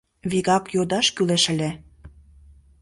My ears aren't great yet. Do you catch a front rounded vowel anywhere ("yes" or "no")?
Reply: yes